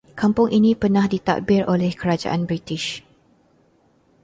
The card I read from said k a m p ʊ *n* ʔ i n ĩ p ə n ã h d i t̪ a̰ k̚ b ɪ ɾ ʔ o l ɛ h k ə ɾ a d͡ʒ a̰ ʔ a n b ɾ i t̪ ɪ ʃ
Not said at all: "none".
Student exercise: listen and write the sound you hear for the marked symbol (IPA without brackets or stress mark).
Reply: ŋ